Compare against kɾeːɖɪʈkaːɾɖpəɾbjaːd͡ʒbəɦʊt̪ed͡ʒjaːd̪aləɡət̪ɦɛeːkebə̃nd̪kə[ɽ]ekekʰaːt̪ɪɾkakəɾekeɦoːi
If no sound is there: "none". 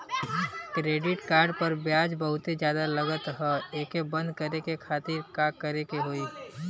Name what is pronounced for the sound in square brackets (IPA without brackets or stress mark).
ɾ